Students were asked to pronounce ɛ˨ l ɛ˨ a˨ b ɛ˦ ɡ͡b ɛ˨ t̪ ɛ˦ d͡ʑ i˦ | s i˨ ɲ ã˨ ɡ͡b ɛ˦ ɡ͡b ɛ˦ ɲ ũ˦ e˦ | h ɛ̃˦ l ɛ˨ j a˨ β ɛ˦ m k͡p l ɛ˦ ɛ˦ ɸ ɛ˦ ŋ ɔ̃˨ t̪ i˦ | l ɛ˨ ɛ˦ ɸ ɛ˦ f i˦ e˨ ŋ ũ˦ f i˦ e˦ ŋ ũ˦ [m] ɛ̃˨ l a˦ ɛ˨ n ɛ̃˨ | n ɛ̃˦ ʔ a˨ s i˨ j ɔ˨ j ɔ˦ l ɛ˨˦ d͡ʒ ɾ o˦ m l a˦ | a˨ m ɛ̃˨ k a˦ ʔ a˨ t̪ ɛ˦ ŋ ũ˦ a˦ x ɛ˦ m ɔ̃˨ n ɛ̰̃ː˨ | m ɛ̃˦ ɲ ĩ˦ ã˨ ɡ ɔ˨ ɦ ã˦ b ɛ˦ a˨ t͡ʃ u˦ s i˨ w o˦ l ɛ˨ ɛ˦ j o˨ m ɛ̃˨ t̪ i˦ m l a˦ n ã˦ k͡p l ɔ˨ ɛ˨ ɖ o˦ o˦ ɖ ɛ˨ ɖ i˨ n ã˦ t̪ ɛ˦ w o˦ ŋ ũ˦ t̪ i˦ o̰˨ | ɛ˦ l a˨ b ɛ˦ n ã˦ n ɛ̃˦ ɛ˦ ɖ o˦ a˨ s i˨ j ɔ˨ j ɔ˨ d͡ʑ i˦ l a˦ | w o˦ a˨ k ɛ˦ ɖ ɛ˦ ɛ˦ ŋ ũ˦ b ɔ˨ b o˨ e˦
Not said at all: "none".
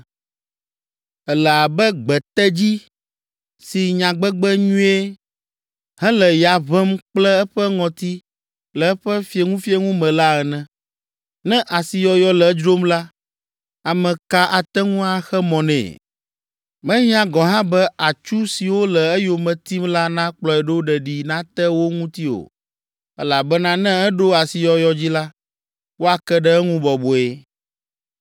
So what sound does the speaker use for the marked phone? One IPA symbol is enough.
m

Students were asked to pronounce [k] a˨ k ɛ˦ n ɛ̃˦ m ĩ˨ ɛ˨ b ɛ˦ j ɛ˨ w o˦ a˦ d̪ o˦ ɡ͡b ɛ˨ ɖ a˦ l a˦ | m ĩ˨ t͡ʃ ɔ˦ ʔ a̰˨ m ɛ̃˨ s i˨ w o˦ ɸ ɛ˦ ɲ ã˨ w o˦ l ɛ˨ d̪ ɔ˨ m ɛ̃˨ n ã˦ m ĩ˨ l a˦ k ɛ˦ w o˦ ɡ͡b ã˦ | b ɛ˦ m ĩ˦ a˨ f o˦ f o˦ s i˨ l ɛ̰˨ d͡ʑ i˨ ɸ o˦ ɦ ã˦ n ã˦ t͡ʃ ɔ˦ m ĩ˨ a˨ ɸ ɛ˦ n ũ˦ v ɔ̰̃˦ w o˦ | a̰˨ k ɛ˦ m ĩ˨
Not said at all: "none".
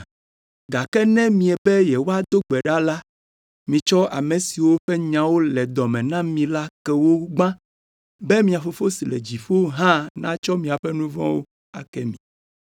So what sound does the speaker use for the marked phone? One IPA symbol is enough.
ɡ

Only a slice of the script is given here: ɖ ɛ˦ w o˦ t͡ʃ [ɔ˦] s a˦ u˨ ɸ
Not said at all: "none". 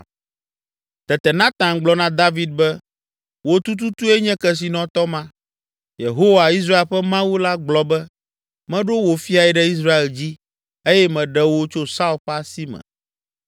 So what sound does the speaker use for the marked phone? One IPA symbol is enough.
o˦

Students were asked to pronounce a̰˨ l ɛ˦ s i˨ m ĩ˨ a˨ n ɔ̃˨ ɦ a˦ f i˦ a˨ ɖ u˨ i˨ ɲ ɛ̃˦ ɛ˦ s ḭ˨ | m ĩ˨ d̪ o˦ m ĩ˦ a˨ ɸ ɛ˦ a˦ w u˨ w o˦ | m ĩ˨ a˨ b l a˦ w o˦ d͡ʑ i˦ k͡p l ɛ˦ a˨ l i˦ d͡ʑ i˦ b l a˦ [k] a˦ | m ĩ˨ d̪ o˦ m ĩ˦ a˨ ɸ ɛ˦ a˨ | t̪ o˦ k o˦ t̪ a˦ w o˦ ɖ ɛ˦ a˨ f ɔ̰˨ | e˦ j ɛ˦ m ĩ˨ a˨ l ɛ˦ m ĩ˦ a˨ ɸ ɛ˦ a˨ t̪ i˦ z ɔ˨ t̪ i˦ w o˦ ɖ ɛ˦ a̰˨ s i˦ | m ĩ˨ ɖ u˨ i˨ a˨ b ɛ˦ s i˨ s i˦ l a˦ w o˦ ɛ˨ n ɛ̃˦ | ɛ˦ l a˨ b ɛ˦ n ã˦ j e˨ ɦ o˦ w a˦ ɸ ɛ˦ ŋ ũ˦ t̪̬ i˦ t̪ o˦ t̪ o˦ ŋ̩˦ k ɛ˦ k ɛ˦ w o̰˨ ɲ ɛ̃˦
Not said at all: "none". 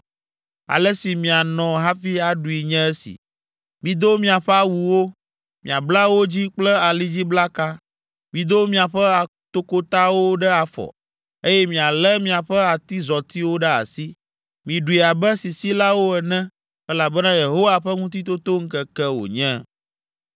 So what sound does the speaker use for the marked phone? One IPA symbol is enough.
k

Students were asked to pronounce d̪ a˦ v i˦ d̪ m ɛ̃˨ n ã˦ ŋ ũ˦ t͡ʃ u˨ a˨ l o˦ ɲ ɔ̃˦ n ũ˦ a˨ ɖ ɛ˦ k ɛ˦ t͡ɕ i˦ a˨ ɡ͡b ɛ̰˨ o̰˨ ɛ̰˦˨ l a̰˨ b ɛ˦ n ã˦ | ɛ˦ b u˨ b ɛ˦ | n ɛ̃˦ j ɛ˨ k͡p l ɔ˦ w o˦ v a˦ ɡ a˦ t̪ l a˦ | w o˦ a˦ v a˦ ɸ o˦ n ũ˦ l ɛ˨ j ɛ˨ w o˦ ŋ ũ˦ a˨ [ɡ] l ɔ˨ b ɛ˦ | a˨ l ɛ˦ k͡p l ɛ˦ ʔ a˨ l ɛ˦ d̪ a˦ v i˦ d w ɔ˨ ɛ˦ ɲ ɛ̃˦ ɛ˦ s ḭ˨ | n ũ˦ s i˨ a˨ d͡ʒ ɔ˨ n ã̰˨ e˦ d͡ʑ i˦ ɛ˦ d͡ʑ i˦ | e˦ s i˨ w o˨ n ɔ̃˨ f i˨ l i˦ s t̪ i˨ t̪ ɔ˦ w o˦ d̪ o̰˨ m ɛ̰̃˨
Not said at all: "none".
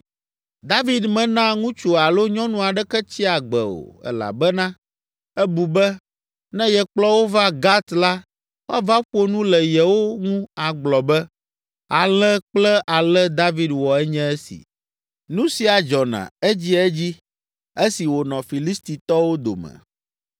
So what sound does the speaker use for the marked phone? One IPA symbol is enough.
ɡ͡b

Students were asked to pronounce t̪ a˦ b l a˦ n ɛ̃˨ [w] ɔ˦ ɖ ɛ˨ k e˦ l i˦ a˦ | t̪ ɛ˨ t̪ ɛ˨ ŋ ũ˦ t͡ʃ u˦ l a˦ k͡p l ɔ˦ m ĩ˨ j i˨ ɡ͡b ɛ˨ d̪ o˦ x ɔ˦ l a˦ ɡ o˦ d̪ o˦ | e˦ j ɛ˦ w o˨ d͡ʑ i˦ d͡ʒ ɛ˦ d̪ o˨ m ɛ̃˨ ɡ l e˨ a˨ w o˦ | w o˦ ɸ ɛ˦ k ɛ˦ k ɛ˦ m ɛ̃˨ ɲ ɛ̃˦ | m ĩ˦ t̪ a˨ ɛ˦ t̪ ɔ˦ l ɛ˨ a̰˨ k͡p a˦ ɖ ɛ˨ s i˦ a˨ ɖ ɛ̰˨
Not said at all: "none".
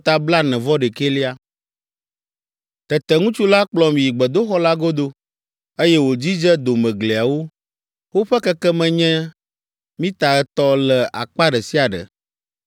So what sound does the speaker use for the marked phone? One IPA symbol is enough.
v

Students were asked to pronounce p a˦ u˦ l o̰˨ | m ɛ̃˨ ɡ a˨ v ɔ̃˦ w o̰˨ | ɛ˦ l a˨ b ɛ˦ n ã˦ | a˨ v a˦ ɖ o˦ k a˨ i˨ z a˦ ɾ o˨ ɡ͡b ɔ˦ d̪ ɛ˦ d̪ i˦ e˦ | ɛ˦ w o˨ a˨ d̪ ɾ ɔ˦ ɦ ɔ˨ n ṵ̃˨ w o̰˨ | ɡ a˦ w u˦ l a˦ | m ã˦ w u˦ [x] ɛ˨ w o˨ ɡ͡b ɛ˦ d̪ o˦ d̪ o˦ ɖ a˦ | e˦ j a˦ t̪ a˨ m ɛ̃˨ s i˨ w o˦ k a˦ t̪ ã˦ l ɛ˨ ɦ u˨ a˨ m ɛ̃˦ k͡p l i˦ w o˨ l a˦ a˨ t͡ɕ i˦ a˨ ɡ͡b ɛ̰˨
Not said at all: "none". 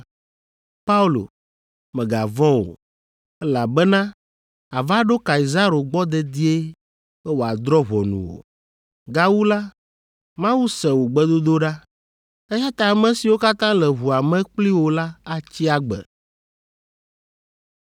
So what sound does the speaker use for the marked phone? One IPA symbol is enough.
s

